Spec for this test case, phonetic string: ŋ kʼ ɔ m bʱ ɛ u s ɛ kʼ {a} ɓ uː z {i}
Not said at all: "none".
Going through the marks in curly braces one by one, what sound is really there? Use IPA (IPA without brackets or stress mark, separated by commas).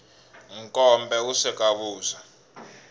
a, a